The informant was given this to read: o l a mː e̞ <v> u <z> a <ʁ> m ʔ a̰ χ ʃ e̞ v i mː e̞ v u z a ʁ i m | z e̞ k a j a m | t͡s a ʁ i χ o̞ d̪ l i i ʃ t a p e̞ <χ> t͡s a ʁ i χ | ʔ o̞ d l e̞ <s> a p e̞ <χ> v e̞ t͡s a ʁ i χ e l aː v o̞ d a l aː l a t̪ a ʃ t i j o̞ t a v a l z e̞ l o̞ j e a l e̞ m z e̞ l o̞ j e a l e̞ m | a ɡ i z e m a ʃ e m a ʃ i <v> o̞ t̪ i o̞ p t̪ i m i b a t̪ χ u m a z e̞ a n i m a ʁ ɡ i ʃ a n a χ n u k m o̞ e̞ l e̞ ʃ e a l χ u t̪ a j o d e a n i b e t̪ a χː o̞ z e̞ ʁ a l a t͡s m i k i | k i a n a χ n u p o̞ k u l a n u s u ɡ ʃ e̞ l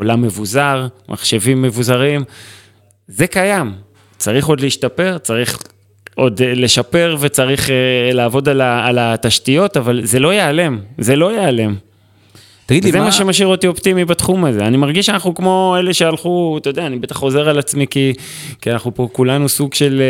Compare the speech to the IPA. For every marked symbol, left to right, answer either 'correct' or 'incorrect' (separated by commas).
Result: correct, correct, correct, incorrect, incorrect, incorrect, incorrect